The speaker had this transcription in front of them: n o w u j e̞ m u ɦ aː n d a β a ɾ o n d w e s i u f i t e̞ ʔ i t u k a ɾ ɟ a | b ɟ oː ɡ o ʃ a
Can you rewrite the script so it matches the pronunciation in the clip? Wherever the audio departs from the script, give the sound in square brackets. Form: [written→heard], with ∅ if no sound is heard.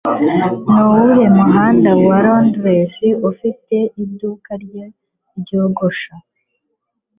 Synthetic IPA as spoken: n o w u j e̞ m u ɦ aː n d a [β→w] a ɾ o n d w e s i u f i t e̞ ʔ i [t→d] u k a ɾ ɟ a | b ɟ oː ɡ o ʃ a